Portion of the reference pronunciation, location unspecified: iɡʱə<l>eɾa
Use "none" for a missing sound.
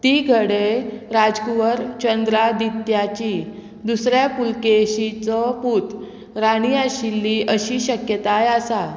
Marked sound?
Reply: ɽ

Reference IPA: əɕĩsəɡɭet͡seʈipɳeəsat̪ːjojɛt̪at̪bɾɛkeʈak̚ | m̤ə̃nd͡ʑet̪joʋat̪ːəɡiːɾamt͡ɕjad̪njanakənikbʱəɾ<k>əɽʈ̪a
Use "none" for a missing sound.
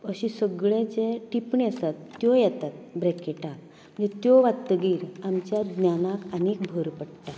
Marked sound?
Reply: p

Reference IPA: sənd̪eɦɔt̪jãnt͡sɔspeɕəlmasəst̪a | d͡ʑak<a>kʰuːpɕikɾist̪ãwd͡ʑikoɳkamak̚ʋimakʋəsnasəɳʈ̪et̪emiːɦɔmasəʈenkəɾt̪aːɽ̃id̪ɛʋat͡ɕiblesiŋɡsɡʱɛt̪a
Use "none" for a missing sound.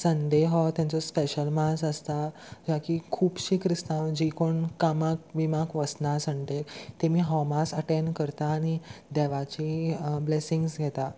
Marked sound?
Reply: i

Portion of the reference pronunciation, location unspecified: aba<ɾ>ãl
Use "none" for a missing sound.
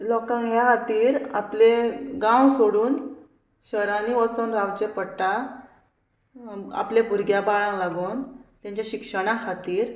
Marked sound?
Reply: ɭ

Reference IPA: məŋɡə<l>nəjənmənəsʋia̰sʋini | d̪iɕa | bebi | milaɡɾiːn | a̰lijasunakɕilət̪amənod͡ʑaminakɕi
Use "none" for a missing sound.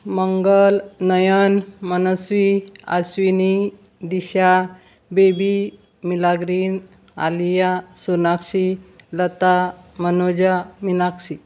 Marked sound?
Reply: l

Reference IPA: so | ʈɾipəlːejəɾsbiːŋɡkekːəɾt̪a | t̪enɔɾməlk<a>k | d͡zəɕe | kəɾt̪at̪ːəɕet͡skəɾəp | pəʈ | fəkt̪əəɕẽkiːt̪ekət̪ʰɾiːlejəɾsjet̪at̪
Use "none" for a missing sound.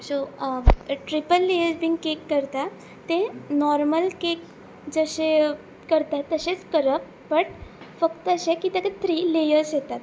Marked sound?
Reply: e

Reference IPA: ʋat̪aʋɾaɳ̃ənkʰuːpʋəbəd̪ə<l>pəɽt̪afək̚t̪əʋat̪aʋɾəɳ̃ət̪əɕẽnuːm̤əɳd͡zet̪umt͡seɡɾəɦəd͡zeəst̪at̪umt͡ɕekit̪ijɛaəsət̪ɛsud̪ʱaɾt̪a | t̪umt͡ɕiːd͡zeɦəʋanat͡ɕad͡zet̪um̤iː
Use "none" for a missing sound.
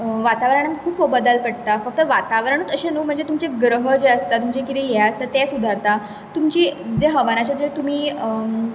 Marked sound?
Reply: l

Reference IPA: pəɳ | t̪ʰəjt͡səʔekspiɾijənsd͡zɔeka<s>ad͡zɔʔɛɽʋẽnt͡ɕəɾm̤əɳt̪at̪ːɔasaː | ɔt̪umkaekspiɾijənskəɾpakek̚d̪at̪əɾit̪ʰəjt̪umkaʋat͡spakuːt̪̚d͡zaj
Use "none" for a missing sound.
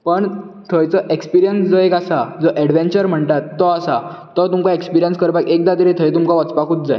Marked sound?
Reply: s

